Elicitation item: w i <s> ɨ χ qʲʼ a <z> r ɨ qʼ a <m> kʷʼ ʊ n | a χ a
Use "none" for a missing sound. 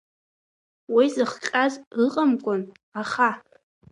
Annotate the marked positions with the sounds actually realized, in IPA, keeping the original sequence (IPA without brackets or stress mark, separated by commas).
z, z, m